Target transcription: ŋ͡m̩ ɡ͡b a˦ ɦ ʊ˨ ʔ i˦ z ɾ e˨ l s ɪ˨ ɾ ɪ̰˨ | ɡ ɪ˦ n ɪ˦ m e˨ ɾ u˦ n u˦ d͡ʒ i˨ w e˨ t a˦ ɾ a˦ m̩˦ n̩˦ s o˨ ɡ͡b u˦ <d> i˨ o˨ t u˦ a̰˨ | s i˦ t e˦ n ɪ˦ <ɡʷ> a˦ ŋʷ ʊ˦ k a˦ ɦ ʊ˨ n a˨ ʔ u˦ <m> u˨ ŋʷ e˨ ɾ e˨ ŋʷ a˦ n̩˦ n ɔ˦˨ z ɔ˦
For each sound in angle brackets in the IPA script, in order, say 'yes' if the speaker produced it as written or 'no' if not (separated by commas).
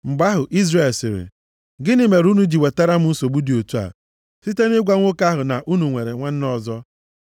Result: yes, yes, no